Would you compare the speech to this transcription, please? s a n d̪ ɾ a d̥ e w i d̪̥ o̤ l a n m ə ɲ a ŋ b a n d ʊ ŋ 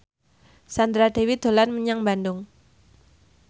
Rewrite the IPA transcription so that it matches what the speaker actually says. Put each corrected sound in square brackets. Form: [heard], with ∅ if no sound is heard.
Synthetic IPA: s a n d̪ ɾ a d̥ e w i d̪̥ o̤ l a n m ə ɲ a ŋ b a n d ʊ ŋ